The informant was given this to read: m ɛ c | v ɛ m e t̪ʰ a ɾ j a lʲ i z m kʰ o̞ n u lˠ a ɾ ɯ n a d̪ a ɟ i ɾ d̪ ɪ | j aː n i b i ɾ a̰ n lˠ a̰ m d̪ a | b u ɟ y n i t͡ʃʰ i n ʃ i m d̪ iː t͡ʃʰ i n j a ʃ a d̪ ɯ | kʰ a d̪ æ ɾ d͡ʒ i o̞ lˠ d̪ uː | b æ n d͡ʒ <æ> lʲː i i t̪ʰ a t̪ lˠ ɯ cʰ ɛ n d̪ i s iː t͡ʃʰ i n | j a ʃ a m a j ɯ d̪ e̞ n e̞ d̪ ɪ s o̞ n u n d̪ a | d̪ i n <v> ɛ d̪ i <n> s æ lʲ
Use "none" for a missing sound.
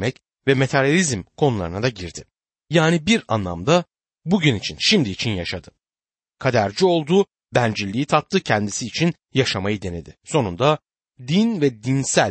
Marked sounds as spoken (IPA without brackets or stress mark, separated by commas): i, v, n